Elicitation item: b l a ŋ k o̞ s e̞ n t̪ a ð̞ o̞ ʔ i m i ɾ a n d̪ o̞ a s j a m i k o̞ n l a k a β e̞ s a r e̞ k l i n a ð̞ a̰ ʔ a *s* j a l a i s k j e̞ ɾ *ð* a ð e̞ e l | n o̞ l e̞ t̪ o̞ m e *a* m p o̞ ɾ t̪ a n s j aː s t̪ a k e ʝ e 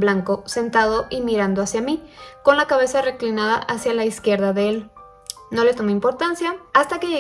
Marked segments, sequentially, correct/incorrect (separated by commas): correct, correct, incorrect